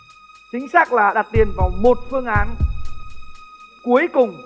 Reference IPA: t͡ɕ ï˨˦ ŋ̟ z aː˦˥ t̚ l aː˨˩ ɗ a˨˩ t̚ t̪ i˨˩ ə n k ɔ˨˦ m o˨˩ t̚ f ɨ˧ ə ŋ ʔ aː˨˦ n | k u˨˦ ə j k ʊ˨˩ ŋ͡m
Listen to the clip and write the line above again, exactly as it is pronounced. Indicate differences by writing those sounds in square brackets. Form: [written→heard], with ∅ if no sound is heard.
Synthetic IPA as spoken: t͡ɕ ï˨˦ ŋ̟ [z→s] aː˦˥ [t̚→k̚] l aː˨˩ ɗ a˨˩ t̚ t̪ i˨˩ ə n k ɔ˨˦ m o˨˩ t̚ f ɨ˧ ə ŋ ʔ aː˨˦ n | k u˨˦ ə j k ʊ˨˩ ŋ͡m